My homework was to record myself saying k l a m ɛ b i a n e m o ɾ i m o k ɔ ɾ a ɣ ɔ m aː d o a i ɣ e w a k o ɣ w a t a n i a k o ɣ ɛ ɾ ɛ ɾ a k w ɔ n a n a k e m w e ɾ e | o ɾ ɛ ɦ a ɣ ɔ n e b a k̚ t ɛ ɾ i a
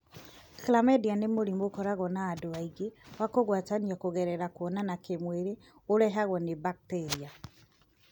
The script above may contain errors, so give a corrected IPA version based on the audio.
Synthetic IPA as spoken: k l a m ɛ d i a n e m o ɾ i m o k ɔ ɾ a ɣ ɔ n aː d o a i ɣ e w a k o ɣ w a t a n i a k o ɣ ɛ ɾ ɛ ɾ a k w ɔ n a n a k e m w e ɾ e | o ɾ ɛ ɦ a ɣ ɔ n e b a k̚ t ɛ ɾ i a